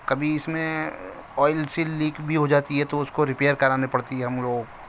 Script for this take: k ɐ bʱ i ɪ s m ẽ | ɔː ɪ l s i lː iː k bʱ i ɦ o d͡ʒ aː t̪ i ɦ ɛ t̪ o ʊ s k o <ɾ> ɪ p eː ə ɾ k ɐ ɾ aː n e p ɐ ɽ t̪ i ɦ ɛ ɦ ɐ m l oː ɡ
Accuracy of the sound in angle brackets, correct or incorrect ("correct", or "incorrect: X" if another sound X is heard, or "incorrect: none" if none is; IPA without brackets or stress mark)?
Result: correct